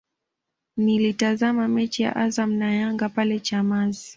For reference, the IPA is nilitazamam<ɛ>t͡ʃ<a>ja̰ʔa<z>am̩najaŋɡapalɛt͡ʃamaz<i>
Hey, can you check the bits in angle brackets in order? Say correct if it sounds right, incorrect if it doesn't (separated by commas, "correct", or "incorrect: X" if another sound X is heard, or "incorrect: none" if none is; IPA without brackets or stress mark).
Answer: correct, incorrect: i, correct, correct